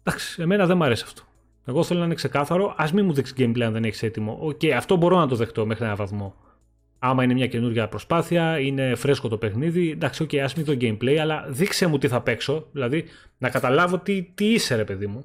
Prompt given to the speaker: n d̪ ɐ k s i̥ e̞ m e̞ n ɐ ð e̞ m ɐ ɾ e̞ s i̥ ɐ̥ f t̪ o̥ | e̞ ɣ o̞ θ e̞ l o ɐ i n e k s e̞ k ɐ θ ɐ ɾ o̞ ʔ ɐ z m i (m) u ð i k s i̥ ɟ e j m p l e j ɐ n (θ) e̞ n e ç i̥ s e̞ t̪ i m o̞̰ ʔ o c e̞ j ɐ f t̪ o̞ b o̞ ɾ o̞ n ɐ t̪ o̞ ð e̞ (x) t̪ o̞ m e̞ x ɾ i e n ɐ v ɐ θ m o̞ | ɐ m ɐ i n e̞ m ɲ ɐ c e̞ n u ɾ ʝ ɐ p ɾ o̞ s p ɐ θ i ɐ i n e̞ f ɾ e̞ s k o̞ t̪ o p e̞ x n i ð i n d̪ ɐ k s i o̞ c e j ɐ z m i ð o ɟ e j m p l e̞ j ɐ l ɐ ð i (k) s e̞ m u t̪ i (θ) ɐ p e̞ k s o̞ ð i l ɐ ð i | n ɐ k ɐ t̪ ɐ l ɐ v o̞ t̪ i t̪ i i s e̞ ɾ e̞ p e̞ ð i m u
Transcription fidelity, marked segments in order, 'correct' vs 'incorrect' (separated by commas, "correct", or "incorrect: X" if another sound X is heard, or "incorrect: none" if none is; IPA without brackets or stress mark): correct, incorrect: ð, correct, correct, correct